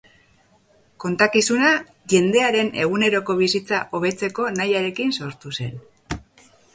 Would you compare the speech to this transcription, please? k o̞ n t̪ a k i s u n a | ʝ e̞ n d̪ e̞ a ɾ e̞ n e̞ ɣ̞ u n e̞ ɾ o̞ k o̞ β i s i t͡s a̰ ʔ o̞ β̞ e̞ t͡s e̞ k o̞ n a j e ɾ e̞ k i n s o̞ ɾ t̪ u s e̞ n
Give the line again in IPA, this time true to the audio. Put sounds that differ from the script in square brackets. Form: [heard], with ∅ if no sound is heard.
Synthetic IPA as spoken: k o̞ n t̪ a k i s u n a | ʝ e̞ n d̪ e̞ a ɾ e̞ n e̞ ɣ̞ u n e̞ ɾ o̞ k o̞ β i s i t͡s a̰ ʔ o̞ β̞ e̞ t͡s e̞ k o̞ n a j [a] ɾ e̞ k i n s o̞ ɾ t̪ u s e̞ n